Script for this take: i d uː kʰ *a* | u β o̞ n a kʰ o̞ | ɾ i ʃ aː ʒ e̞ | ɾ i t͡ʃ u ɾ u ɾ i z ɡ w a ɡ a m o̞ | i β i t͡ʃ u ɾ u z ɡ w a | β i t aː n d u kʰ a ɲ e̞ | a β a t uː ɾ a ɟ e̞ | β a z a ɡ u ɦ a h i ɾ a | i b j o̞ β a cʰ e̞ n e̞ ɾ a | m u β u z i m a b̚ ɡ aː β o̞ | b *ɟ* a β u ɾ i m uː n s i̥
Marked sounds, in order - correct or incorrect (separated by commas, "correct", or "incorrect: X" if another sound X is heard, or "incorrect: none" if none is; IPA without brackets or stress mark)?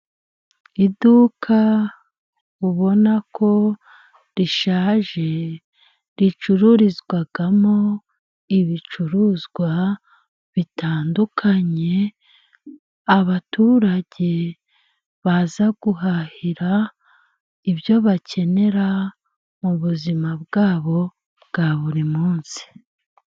correct, incorrect: ɡ